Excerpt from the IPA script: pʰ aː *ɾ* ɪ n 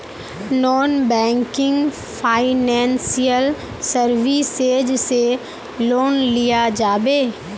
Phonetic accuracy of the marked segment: incorrect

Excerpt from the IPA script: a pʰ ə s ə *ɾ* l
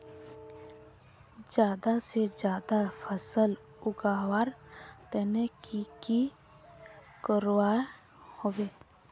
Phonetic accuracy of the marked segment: incorrect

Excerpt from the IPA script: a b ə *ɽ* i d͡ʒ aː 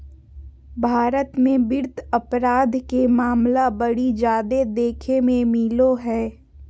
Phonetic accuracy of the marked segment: correct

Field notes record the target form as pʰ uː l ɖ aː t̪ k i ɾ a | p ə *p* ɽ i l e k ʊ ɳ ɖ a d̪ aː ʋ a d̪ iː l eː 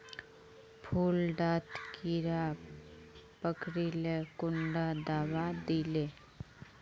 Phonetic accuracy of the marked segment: incorrect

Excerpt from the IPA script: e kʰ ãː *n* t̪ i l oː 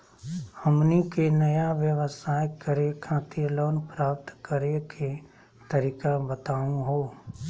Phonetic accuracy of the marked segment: incorrect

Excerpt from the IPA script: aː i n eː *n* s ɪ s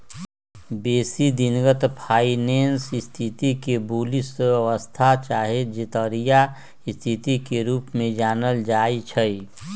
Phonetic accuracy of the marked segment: correct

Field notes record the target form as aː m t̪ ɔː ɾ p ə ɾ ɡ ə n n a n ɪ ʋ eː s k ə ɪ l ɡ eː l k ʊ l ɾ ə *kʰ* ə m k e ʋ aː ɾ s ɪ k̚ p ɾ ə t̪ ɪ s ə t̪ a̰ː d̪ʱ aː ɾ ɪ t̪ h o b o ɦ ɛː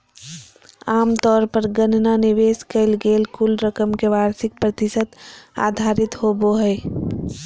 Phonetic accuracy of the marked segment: incorrect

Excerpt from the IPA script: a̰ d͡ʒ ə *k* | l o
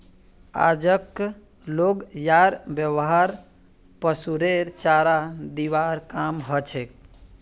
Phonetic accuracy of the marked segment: correct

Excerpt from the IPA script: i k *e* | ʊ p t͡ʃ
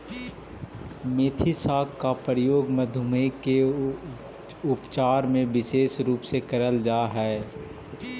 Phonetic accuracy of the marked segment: correct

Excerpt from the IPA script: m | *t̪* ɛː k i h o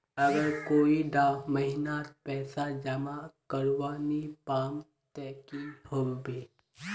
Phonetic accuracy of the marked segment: correct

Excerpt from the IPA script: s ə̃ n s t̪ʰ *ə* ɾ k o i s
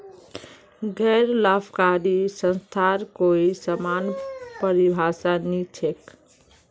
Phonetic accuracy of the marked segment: incorrect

